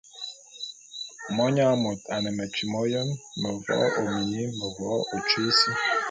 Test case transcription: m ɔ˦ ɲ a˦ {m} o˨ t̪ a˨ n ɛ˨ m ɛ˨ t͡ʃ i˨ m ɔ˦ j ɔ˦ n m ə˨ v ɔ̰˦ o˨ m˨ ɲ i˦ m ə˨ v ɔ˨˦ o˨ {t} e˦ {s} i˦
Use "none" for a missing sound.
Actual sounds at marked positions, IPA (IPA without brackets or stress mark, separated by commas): m, t͡ʃ, s